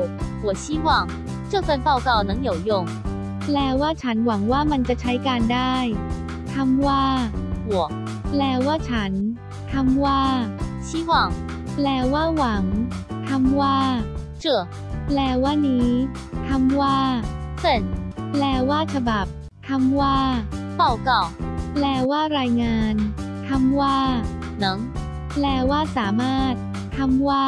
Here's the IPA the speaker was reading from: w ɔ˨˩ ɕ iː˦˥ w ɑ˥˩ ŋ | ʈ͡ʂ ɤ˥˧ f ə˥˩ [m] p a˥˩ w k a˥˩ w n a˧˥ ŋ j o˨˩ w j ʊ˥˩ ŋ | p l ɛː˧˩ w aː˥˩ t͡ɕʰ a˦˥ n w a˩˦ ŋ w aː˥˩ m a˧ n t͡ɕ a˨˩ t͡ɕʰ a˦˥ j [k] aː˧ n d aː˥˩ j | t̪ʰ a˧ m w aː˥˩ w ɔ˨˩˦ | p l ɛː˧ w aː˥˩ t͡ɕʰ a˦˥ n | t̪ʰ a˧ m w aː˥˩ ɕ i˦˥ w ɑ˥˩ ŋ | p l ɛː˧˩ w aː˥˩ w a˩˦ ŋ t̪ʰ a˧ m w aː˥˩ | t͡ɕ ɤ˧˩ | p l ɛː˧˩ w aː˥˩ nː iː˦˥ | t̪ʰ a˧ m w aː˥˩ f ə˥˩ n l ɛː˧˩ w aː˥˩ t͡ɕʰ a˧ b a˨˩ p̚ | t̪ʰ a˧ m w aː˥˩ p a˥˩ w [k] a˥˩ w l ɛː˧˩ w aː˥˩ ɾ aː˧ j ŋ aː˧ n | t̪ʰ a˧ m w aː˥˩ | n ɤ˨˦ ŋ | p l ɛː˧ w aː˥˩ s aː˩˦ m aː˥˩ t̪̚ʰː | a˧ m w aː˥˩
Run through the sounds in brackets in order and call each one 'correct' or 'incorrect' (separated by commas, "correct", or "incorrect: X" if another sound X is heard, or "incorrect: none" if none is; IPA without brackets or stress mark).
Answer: incorrect: n, correct, correct